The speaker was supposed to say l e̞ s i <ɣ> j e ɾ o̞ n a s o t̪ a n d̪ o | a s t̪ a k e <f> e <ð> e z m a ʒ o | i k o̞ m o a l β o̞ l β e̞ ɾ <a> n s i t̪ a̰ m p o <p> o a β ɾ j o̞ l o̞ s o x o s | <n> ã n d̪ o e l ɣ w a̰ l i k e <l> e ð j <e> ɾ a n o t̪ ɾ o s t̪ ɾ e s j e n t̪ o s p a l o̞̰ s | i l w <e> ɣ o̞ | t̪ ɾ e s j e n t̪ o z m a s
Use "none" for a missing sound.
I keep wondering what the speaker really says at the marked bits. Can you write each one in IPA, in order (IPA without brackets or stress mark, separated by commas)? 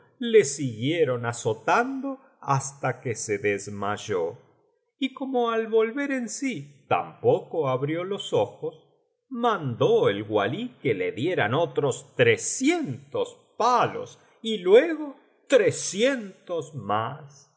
ɣ, s, ð, e, k, m, l, e, e